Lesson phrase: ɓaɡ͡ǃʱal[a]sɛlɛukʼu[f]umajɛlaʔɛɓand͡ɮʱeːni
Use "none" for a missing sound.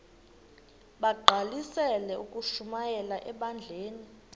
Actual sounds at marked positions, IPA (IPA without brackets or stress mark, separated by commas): i, ʃ